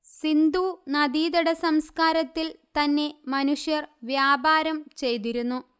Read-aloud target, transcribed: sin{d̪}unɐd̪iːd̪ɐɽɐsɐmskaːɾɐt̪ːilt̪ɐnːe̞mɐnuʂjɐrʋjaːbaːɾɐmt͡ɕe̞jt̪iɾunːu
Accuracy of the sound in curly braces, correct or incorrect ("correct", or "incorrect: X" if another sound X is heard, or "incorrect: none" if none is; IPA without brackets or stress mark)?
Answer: correct